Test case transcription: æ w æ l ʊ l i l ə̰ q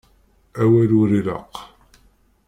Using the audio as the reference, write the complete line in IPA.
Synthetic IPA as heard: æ w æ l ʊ ɾ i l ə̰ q